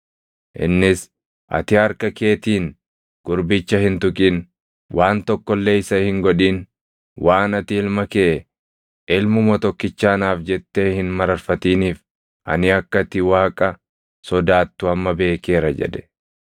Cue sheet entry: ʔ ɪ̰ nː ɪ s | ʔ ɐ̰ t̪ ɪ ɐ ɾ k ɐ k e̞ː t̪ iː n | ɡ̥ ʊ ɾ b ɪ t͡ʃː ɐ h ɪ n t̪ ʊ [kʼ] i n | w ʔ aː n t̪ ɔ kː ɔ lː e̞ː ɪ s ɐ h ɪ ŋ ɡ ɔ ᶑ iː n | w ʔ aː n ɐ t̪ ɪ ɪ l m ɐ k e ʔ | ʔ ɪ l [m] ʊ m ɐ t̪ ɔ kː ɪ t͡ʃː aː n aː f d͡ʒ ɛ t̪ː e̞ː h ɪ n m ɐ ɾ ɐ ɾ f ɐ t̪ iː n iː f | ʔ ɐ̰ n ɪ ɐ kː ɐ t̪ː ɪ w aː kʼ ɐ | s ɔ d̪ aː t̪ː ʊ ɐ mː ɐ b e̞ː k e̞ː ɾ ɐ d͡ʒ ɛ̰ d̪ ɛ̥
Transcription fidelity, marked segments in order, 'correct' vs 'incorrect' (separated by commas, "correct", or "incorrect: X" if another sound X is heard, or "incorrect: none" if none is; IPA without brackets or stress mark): correct, correct